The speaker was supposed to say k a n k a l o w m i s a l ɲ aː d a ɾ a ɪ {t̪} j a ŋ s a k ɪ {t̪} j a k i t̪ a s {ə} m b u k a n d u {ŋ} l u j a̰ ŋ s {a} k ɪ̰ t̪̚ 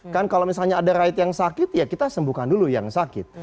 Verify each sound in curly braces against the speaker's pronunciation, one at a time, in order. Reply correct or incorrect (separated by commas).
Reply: correct, correct, correct, incorrect, correct